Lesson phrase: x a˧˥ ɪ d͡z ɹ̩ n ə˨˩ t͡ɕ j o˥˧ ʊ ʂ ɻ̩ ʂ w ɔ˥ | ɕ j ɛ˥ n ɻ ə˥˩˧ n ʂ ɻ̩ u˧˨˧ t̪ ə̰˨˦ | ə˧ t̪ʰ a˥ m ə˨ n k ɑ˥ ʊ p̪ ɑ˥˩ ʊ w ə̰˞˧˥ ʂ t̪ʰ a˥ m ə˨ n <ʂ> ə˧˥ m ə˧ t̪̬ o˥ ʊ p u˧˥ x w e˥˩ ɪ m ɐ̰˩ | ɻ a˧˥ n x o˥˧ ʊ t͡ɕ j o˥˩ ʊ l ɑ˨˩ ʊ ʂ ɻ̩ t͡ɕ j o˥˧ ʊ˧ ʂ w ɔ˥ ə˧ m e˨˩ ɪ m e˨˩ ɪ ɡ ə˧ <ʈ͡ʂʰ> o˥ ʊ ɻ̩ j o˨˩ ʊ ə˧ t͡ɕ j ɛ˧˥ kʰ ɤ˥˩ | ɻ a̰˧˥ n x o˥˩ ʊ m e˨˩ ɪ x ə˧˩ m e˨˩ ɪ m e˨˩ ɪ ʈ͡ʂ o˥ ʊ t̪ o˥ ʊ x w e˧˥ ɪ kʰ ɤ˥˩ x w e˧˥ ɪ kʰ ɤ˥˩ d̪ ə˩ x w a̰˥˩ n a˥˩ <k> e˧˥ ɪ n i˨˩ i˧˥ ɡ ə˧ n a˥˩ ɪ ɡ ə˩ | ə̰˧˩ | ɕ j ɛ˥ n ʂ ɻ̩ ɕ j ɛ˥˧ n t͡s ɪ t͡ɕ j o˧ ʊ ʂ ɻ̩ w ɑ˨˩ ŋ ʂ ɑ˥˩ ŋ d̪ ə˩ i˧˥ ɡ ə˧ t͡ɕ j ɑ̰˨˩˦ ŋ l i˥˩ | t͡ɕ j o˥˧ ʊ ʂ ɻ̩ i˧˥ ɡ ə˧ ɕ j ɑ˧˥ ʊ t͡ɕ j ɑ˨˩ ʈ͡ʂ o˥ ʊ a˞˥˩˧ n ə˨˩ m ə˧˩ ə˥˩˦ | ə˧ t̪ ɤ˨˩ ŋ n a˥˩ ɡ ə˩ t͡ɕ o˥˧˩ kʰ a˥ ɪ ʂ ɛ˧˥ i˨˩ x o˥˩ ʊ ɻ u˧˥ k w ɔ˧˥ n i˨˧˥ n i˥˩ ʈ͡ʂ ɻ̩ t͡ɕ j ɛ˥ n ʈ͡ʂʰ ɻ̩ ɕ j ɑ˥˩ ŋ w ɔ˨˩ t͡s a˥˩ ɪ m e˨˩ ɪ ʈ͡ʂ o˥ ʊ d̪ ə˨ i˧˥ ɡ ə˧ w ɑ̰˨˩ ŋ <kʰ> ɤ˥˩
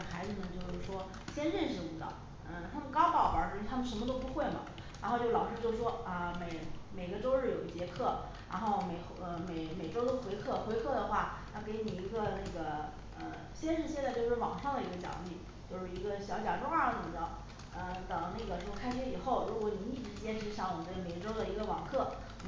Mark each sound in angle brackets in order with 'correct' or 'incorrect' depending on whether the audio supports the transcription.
correct, incorrect: ʈ͡ʂ, correct, correct

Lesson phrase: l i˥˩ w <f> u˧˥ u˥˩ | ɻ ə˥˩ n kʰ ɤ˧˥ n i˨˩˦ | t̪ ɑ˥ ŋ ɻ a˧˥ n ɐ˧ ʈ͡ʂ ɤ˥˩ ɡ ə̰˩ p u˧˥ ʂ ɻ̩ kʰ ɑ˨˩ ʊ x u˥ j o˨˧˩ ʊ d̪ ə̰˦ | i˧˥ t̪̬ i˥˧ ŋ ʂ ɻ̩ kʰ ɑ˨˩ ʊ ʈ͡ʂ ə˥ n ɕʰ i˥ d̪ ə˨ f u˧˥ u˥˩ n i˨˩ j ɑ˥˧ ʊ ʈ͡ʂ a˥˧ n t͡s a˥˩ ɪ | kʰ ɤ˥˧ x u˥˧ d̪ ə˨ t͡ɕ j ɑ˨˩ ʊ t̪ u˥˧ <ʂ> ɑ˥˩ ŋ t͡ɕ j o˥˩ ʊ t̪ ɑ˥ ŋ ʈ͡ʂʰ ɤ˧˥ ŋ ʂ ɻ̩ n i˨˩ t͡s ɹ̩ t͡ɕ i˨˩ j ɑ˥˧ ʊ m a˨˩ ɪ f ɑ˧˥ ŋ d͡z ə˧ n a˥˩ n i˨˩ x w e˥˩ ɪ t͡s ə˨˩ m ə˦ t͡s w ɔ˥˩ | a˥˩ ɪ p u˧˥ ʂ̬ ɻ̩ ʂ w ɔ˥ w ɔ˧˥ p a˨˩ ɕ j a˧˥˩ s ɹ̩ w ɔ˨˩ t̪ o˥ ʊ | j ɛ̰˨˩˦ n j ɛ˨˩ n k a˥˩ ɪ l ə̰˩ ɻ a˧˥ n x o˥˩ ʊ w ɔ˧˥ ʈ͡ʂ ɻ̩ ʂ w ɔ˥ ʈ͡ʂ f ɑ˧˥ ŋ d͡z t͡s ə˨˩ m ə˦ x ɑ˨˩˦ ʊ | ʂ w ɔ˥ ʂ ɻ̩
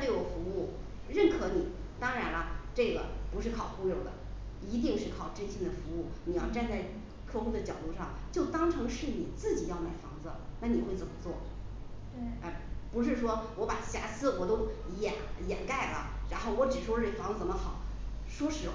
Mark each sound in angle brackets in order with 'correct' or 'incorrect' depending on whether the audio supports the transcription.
correct, correct

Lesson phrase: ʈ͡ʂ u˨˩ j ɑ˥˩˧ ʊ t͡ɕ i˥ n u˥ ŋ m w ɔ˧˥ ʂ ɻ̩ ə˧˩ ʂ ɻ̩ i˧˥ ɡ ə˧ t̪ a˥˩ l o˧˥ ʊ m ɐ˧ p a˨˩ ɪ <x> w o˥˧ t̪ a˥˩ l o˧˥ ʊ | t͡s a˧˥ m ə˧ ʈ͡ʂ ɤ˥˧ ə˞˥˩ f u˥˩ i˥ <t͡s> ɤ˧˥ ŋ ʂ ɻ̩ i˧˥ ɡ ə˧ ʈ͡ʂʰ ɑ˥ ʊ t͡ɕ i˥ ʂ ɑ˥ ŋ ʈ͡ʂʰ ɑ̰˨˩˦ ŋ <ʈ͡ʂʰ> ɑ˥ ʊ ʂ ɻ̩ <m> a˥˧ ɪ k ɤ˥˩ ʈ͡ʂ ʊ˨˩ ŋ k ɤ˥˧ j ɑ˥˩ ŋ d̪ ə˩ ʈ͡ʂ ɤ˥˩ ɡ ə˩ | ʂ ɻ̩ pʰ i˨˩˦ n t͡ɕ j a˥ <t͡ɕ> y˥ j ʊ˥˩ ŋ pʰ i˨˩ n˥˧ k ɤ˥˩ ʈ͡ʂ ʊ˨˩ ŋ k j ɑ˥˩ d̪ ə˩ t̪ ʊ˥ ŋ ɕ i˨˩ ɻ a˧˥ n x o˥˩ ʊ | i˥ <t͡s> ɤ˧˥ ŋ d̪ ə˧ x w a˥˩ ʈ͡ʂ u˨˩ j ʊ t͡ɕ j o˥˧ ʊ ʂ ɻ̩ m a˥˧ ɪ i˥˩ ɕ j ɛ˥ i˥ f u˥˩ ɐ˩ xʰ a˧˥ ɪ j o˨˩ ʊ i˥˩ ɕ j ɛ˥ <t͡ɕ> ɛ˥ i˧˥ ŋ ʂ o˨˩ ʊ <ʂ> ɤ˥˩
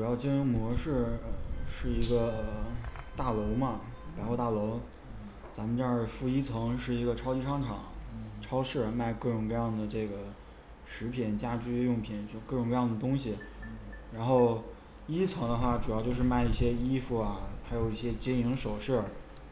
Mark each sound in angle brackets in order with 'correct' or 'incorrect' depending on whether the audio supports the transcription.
correct, incorrect: t͡sʰ, correct, correct, correct, incorrect: t͡sʰ, correct, correct

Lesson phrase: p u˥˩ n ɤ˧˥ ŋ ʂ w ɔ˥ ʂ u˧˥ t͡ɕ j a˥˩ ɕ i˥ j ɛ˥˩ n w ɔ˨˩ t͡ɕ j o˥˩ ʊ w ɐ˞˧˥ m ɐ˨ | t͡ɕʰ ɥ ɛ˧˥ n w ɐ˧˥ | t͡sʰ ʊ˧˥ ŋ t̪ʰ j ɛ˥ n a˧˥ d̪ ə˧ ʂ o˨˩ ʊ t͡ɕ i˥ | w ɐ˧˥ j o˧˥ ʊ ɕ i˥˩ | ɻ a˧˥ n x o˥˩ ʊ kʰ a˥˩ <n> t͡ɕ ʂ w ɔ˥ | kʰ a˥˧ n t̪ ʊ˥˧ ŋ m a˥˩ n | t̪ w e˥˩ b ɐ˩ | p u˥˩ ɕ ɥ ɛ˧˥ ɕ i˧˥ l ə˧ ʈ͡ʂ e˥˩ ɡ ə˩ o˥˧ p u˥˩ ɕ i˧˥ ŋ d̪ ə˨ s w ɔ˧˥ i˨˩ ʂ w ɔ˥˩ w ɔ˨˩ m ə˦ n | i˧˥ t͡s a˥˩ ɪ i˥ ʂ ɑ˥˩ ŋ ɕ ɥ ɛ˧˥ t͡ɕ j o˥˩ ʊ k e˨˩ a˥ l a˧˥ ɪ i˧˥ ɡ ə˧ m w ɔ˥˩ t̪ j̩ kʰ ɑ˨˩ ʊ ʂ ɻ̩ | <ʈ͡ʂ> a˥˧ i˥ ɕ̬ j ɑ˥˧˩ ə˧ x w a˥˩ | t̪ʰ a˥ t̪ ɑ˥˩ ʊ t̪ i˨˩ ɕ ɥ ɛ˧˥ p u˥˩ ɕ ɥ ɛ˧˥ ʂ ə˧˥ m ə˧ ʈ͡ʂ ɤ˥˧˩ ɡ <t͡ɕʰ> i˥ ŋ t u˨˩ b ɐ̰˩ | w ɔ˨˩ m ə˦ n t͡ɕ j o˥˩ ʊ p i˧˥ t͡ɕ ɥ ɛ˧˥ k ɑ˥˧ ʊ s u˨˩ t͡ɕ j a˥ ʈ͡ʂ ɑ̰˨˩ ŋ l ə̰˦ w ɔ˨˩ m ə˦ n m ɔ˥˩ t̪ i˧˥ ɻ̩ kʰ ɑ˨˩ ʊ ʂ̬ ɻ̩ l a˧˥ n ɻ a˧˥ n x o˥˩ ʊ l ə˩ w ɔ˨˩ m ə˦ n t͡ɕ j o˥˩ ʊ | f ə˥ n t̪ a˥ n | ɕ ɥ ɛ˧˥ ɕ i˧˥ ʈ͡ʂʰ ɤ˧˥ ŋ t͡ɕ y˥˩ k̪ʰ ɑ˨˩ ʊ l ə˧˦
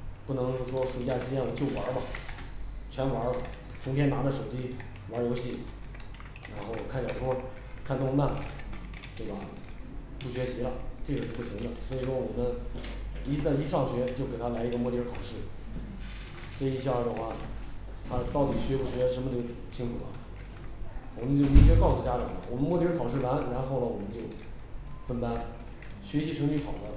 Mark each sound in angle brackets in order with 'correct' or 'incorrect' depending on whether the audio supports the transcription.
correct, correct, correct

